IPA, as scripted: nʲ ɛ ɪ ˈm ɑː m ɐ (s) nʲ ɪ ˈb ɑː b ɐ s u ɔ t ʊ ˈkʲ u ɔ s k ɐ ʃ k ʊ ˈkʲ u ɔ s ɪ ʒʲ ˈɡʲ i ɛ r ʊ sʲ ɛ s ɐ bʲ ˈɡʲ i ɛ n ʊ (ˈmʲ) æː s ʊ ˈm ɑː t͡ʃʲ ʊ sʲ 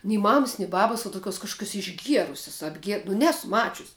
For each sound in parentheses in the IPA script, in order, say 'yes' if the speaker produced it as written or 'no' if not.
yes, no

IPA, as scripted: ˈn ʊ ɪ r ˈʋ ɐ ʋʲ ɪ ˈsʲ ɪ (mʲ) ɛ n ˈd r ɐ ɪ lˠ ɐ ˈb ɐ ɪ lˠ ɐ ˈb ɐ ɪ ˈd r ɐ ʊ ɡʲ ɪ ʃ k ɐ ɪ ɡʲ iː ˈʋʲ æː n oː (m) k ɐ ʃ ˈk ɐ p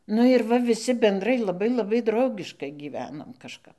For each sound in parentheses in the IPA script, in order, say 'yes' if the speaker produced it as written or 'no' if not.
no, yes

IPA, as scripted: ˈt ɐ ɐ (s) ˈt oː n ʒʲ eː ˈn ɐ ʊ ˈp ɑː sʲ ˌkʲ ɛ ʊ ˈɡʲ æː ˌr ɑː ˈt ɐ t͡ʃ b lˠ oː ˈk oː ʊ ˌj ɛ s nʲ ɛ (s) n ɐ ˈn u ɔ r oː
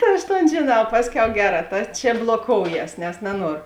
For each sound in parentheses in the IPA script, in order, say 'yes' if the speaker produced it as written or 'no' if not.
no, yes

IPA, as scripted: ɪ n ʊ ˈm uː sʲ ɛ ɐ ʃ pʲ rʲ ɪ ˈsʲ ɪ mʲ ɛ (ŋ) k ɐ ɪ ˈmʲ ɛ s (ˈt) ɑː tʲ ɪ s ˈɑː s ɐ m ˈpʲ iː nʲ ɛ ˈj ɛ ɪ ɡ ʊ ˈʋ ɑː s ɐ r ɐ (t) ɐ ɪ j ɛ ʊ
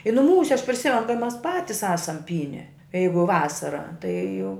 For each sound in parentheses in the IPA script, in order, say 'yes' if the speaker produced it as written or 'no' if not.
no, no, yes

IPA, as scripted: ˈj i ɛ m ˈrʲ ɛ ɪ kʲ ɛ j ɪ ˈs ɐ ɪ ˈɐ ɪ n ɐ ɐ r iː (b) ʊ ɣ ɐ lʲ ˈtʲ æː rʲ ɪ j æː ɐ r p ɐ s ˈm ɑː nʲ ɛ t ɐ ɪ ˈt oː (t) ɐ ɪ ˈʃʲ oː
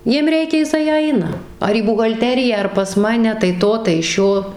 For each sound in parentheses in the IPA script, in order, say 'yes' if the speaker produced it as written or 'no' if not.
yes, yes

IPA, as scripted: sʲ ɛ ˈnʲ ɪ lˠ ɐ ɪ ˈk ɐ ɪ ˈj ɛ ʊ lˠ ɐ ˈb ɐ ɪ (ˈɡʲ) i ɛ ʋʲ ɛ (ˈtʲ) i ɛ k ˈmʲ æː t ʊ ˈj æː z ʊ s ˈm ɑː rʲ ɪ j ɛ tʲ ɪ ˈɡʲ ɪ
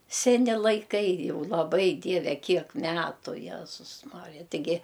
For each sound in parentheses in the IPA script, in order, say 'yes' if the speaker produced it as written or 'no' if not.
no, no

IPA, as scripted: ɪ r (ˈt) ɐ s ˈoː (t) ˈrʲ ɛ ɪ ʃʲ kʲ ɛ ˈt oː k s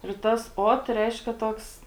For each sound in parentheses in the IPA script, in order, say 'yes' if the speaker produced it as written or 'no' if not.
yes, yes

